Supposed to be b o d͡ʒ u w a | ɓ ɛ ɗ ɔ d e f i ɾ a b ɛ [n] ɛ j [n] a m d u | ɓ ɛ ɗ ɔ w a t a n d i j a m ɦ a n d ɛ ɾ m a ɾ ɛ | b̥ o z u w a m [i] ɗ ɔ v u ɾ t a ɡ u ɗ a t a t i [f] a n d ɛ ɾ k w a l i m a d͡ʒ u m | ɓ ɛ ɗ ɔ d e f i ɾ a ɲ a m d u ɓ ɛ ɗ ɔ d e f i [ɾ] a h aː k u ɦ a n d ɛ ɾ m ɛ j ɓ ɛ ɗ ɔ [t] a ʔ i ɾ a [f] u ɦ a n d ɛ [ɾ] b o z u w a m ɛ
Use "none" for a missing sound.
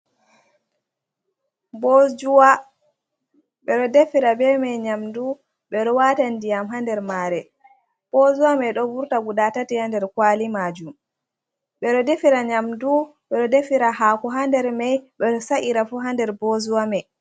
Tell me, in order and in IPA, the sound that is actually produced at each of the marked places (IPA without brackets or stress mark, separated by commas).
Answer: m, ɲ, ɛ, h, ɾ, s, f, ɾ